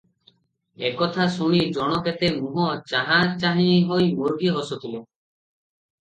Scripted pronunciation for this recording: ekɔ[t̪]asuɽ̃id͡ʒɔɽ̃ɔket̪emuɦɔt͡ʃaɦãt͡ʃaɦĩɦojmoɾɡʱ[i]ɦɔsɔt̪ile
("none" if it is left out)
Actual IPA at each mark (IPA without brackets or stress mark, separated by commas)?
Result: t̪ʰ, i